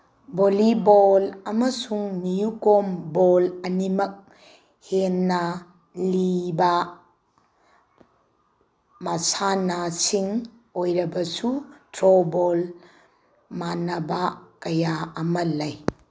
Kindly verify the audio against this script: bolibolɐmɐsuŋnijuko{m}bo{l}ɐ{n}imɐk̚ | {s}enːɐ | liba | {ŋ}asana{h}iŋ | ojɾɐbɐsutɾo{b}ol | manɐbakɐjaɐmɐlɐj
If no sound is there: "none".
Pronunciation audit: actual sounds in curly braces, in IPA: m, l, n, h, m, s, b

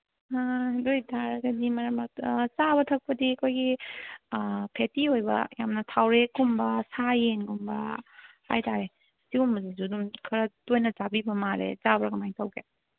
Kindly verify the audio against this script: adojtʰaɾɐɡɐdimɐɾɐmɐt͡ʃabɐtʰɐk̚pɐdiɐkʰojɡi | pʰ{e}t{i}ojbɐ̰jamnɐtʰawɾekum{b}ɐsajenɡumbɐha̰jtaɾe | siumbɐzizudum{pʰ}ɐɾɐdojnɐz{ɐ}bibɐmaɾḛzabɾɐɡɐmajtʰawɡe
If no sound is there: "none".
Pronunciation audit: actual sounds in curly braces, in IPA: e, i, b, kʰ, a

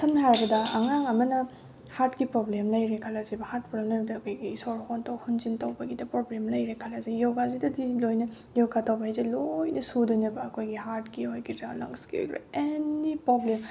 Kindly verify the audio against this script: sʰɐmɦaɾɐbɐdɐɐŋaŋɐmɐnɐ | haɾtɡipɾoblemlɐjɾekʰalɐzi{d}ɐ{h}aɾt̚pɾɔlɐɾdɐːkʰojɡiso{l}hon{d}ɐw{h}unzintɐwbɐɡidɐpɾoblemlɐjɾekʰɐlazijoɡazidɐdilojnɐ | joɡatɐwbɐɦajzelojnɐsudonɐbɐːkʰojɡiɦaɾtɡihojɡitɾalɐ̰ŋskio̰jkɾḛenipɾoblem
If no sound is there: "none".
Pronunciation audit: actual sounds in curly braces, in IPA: b, h, ɾ, t, h

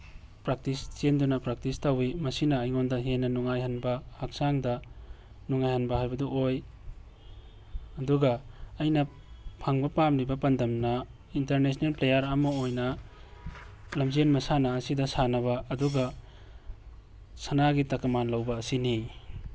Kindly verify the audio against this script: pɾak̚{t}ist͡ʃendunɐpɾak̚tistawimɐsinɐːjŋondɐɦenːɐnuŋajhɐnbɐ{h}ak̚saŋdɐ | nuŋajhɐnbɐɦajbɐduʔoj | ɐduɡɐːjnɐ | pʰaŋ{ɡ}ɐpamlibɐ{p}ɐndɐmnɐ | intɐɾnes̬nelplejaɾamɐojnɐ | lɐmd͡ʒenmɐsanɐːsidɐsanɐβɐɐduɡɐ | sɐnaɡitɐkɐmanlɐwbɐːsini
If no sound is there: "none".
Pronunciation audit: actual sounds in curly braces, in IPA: t, h, b, p

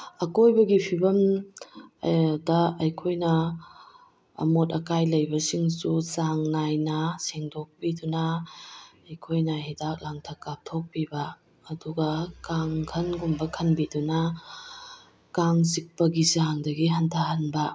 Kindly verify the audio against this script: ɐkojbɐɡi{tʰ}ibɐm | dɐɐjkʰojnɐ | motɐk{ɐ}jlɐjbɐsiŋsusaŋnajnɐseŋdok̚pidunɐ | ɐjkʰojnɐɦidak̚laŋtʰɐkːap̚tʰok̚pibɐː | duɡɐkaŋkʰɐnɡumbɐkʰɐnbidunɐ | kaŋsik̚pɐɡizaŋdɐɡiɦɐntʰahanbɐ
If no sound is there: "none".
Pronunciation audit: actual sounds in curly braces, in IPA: pʰ, a

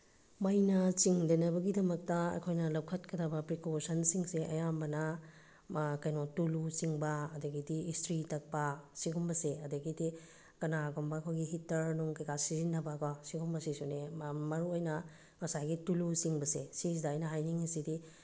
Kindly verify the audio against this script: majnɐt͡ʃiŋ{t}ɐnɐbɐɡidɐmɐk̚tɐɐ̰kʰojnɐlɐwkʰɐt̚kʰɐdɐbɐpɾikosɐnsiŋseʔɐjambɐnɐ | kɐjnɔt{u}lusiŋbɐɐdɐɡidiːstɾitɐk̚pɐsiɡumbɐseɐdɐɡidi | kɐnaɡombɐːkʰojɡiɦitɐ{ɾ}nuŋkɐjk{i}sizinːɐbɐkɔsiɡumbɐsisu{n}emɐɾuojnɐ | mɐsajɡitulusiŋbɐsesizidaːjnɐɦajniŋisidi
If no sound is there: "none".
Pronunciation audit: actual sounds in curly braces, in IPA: d, u, ɾ, a, n

